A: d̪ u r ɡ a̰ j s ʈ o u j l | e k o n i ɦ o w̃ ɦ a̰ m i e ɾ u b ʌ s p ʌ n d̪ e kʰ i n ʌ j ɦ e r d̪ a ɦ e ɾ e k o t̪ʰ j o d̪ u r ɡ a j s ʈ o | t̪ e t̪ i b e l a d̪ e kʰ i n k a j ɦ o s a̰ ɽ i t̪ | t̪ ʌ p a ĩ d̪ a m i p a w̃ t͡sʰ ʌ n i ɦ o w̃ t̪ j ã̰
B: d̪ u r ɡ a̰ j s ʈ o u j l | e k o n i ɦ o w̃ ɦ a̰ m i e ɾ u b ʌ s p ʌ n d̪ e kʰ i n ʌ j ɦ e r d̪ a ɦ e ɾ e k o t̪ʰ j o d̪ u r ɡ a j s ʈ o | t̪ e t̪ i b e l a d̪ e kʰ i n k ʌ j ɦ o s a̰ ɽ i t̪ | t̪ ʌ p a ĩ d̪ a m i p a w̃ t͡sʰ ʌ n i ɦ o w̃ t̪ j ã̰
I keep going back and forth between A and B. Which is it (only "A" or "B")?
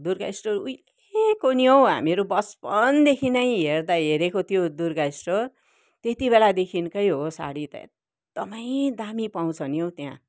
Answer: B